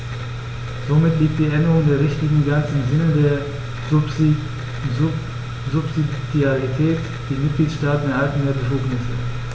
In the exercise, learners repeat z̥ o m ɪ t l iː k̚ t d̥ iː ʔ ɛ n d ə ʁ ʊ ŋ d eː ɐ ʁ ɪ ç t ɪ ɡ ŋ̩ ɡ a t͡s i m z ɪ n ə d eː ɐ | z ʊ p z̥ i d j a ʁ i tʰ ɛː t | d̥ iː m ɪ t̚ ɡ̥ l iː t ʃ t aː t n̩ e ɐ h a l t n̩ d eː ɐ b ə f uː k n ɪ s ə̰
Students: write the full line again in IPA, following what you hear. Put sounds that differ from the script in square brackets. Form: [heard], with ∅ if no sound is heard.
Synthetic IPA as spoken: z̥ o m ɪ t l iː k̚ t d̥ iː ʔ ɛ n d ə ʁ ʊ ŋ d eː ɐ ʁ ɪ ç t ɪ ɡ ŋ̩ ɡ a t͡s [ɪ] m z ɪ n ə d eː ɐ | z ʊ p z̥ i d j a ʁ i tʰ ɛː t | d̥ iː m ɪ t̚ ɡ̥ l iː t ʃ t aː t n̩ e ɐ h a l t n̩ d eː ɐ b ə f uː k n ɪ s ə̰

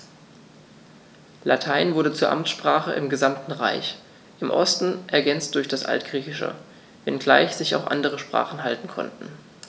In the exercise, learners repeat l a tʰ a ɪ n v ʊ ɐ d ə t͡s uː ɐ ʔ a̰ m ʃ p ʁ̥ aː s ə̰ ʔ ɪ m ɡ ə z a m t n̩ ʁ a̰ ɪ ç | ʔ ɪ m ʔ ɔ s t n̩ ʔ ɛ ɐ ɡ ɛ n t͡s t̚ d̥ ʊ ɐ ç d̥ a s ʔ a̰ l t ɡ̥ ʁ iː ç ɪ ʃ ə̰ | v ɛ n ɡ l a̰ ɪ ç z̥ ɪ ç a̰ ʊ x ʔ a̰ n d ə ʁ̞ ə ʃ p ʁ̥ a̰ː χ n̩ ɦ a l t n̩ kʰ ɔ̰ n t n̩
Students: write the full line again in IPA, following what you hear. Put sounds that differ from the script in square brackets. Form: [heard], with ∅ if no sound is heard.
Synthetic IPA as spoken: l a tʰ a ɪ n v ʊ ɐ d ə t͡s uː ɐ ʔ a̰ m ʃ p ʁ̥ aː [χ] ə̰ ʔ ɪ m ɡ ə z a m t n̩ ʁ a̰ ɪ ç | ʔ ɪ m ʔ ɔ s t n̩ ʔ ɛ ɐ ɡ ɛ n t͡s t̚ d̥ ʊ ɐ ç d̥ a s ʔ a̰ l t ɡ̥ ʁ iː ç ɪ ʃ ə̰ | v ɛ n ɡ l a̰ ɪ ç z̥ ɪ ç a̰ ʊ x ʔ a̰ n d ə ʁ̞ ə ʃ p ʁ̥ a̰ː χ n̩ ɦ a l t n̩ kʰ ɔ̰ n t n̩

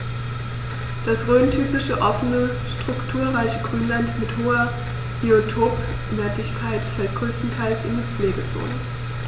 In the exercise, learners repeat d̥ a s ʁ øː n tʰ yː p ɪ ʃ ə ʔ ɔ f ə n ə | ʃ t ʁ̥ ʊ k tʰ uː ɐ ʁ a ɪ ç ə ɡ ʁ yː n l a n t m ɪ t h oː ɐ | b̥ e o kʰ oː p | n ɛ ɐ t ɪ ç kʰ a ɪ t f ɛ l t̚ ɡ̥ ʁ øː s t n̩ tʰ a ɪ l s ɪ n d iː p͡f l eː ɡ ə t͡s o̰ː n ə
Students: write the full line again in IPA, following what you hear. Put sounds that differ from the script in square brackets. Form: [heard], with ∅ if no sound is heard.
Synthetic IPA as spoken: d̥ a s ʁ øː n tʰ yː p ɪ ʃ ə ʔ ɔ f ə n ə | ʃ t ʁ̥ ʊ k tʰ uː ɐ ʁ a ɪ ç ə ɡ ʁ yː n l a n t m ɪ t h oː ɐ | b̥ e o [tʰ] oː p | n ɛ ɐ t ɪ ç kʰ a ɪ t f ɛ l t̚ ɡ̥ ʁ øː s t n̩ tʰ a ɪ l s ɪ n d iː p͡f l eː ɡ ə t͡s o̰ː n ə

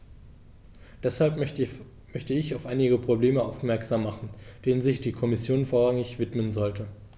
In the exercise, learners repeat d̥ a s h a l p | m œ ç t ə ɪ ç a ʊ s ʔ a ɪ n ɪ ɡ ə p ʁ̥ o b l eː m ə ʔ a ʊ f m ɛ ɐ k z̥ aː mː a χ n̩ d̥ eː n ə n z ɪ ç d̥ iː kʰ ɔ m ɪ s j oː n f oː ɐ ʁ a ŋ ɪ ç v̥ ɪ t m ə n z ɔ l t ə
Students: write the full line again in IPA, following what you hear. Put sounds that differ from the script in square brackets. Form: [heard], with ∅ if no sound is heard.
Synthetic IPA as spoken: d̥ [ɛ] s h a l p | m œ ç t ə ɪ ç a ʊ [f] ʔ a ɪ n ɪ ɡ ə p ʁ̥ o b l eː m ə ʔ a ʊ f m ɛ ɐ k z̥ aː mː a χ n̩ d̥ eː n ə n z ɪ ç d̥ iː kʰ ɔ m ɪ s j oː n f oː ɐ ʁ a ŋ ɪ ç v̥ ɪ t m ə n z ɔ l t ə

